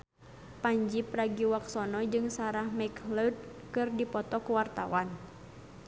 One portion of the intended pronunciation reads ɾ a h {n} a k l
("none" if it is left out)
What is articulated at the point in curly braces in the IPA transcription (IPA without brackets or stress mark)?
m